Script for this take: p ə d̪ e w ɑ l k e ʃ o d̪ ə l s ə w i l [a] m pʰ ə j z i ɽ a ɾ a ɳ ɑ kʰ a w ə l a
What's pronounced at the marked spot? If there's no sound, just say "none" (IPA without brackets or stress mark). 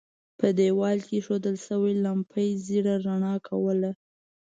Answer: a